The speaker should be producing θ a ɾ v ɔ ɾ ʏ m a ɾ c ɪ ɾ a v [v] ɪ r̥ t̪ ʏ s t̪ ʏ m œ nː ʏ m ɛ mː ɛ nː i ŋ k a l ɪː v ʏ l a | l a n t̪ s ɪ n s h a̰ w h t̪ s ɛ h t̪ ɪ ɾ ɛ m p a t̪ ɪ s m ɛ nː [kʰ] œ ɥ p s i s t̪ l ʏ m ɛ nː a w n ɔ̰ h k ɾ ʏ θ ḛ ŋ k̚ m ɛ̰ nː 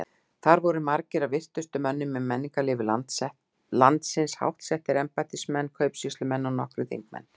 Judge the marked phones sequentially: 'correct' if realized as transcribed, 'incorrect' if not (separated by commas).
correct, correct